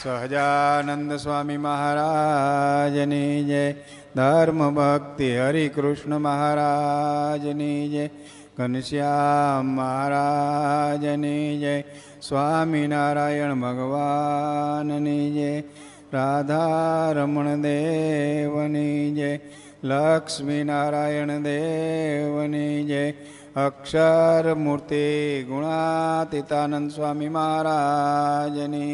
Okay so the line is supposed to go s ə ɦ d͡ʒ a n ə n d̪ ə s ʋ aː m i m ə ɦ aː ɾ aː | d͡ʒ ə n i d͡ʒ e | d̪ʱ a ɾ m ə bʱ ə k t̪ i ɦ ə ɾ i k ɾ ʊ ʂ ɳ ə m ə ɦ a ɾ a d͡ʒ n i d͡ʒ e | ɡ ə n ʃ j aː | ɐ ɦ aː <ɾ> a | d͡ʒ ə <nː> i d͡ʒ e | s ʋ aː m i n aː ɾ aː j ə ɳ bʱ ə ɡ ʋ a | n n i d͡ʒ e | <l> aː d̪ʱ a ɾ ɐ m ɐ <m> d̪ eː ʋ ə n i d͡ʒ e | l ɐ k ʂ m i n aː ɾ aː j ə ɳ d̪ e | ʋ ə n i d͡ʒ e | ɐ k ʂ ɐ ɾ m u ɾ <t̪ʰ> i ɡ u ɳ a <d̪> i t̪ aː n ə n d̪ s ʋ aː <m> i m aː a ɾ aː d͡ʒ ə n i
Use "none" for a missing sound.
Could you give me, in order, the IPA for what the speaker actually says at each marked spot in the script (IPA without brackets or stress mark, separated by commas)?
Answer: ɾ, n, ɾ, ɳ, t̪, t̪, m